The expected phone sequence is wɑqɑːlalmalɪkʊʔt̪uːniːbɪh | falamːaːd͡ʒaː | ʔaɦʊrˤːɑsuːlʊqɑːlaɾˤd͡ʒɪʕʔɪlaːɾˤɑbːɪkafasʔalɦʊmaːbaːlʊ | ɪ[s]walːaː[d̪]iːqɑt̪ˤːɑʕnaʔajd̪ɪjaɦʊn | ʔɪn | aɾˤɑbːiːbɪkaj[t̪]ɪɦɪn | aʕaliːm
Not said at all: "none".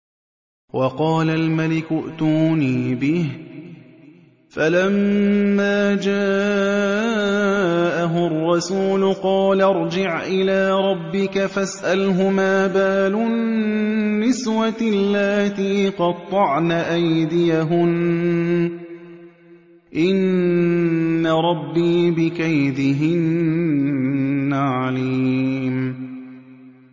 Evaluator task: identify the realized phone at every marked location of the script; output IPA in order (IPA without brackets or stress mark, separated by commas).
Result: s, t̪, d̪